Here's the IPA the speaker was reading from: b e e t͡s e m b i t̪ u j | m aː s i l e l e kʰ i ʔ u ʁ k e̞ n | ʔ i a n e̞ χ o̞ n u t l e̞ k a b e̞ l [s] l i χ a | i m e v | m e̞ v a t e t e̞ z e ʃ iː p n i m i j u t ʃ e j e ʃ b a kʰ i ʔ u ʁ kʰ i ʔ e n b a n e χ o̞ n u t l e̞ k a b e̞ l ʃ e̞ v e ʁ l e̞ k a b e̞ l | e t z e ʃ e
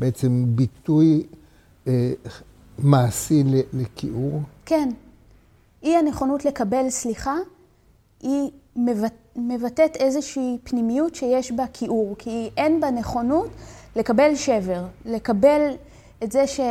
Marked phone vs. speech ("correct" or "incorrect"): correct